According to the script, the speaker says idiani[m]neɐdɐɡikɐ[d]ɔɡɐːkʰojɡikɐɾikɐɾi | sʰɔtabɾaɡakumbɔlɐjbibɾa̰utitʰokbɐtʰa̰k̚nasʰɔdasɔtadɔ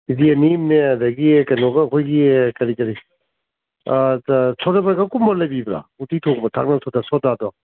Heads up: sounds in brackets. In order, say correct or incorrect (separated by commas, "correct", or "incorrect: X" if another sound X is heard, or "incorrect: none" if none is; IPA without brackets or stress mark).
correct, incorrect: n